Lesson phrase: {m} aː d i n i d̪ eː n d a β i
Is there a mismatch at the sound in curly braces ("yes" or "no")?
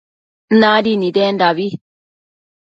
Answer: yes